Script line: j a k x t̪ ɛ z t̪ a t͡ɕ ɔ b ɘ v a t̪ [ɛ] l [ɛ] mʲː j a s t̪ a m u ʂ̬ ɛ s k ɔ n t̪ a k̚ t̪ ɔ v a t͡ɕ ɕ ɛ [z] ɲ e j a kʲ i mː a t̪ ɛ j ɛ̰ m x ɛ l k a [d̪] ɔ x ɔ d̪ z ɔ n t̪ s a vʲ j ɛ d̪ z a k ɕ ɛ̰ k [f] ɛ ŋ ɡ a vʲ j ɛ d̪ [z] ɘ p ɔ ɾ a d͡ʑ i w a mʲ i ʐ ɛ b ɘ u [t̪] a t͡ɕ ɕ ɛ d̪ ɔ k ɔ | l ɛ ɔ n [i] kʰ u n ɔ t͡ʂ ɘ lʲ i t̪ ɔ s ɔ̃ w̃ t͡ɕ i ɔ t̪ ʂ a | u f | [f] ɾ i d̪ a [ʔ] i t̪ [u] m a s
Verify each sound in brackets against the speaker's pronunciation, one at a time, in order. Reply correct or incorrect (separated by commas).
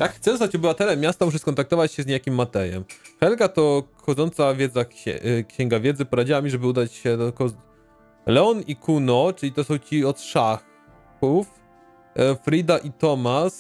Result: correct, correct, correct, incorrect, incorrect, correct, incorrect, correct, correct, correct, incorrect